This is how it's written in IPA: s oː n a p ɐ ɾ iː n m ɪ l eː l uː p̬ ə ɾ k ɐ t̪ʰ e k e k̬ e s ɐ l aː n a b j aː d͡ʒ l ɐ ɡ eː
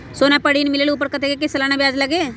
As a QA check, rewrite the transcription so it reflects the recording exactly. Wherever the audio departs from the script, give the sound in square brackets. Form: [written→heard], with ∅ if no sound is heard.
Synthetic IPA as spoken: s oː n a p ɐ [ɾ→ɽ] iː n m ɪ l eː l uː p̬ ə ɾ k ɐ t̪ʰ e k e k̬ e s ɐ l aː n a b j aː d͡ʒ l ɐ ɡ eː